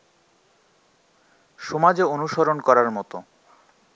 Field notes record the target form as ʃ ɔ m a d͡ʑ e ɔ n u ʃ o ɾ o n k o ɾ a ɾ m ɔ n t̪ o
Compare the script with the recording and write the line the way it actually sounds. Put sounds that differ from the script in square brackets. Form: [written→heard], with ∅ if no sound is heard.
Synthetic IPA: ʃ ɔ m a d͡ʑ e [ɔ→o] n u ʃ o ɾ o n k [o→ɔ] ɾ a ɾ m ɔ [n→∅] t̪ o